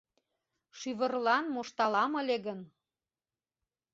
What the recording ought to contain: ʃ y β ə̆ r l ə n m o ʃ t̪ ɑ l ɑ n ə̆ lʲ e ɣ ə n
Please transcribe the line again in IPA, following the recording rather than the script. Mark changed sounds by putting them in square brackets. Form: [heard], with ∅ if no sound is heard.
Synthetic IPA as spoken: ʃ y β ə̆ r l [ɑ] n m o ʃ t̪ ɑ l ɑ [m] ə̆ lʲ e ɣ ə n